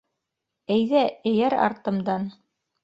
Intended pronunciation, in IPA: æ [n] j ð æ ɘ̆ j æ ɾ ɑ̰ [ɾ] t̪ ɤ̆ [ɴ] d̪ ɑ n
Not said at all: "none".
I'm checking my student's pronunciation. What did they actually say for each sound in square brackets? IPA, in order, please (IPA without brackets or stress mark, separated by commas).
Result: none, ɾ, m